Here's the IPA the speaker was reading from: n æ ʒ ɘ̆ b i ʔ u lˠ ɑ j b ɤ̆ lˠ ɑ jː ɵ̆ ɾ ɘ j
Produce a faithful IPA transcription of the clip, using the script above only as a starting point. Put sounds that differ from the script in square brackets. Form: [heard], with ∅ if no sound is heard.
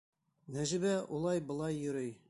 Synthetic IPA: n æ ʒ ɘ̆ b [æ] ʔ u lˠ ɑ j b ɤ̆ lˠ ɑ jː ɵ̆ ɾ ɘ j